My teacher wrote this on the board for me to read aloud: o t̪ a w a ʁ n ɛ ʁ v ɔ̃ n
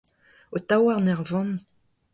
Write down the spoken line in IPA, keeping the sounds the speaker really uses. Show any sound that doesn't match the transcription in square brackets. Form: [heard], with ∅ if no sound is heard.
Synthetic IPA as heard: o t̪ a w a ʁ n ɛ ʁ v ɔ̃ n

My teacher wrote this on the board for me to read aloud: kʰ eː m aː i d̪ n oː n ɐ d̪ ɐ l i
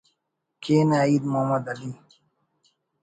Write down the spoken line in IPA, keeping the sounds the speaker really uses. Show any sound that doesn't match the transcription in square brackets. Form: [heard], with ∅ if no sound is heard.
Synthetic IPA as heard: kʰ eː [n] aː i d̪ [m] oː [m] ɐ d̪ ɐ l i

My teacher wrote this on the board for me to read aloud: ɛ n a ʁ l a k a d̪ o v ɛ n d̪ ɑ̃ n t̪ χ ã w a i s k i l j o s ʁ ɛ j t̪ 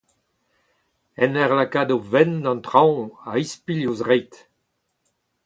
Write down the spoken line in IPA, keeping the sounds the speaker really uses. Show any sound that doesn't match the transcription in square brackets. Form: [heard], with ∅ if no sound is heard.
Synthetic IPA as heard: ɛ n [ɛ] ʁ l a k a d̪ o v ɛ n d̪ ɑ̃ n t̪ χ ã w a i s [p] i l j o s ʁ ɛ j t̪

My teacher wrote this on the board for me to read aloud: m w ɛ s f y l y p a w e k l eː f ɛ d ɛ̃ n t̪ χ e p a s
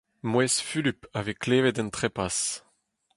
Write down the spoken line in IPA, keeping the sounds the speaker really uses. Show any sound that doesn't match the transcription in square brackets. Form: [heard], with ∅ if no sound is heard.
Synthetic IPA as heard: m w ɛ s f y l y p a [v] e k l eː [v] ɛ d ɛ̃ n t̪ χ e p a s

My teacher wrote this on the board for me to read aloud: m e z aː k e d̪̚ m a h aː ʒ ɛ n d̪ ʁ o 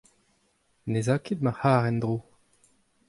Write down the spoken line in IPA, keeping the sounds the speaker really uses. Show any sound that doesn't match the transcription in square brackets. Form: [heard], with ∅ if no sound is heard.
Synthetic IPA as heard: [n] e z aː k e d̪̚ m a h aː [ʁ] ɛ n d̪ ʁ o

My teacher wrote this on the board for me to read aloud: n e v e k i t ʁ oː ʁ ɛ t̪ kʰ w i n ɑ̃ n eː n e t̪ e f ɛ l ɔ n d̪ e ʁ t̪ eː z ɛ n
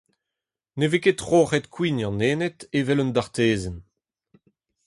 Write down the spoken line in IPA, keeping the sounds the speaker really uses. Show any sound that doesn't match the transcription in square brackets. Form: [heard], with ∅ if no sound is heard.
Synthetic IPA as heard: n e v e k [e] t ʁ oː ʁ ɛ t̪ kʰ w i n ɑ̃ n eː n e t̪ e [v] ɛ l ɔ n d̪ [a] ʁ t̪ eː z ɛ n

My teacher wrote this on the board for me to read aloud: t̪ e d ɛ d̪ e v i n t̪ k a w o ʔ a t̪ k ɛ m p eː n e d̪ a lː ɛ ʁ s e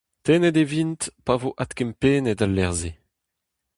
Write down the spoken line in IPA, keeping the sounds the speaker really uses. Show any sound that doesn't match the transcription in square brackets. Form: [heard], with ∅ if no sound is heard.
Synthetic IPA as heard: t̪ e [n] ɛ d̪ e v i n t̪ [p] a [v] o ʔ a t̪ k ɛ m p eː n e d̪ a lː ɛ ʁ [z] e

